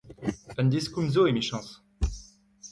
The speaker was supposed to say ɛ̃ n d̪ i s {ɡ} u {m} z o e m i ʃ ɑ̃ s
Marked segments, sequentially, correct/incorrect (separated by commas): incorrect, correct